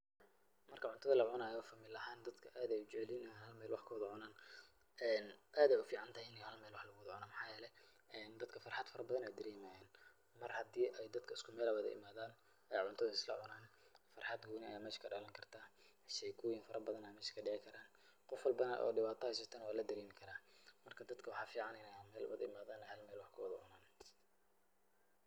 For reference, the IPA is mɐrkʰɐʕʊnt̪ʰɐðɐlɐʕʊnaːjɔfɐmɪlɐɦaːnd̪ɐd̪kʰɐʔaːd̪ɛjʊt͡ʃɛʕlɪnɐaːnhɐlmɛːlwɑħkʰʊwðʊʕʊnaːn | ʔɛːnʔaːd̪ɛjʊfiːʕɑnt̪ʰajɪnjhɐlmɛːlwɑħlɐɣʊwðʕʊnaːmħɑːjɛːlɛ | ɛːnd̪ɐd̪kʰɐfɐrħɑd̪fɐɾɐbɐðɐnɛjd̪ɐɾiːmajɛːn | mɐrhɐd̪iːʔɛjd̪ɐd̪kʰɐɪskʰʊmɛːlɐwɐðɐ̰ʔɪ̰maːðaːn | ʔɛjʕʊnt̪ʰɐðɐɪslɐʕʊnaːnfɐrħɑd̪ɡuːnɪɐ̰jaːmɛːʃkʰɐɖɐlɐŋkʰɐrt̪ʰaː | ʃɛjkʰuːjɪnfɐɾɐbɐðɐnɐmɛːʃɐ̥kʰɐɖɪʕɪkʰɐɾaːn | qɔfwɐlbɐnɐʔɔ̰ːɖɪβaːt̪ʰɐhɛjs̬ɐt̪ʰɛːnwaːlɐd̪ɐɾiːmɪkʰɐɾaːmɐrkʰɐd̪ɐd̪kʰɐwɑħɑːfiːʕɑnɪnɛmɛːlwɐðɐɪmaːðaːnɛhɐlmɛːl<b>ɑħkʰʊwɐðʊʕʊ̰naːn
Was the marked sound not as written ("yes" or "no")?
yes